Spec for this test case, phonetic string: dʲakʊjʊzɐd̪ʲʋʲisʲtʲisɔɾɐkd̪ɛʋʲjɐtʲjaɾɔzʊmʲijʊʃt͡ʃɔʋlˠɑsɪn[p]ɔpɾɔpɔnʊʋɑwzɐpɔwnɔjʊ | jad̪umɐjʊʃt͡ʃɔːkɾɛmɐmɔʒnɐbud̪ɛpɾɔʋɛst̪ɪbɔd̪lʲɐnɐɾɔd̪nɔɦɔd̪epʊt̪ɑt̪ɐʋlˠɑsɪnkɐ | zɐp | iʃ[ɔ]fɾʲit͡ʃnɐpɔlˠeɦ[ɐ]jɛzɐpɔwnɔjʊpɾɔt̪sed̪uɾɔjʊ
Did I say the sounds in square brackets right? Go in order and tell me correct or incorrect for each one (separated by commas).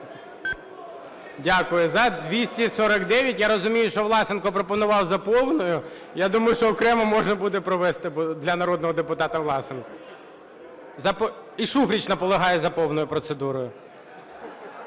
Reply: incorrect, incorrect, incorrect